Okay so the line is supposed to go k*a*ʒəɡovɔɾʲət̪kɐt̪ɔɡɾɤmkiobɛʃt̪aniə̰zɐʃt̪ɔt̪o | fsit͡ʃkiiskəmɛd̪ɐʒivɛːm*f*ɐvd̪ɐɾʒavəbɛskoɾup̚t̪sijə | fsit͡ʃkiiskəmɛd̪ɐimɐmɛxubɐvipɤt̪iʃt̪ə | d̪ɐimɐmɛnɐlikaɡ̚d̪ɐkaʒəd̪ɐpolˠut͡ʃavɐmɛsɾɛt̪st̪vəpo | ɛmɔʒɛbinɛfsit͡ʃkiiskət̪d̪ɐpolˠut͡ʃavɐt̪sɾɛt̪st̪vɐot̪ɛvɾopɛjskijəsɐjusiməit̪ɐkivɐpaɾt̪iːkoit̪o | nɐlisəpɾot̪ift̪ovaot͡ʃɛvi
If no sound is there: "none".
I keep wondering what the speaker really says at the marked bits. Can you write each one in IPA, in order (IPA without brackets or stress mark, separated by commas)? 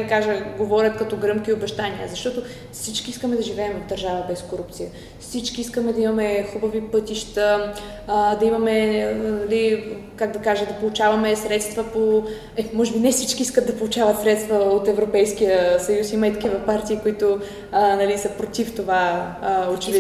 a, v